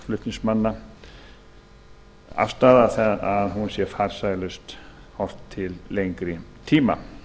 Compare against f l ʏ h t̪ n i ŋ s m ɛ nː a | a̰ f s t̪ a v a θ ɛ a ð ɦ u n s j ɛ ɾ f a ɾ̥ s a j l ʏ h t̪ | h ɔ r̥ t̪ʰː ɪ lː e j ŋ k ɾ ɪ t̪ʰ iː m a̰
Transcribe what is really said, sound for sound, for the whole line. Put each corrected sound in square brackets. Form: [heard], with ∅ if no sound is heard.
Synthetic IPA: f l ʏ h t̪ n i ŋ s m [a] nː a | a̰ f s t̪ a [ð] a θ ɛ a ð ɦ u n s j ɛ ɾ f a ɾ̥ s a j l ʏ [s] t̪ | h ɔ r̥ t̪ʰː ɪ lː e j ŋ k ɾ ɪ t̪ʰ iː m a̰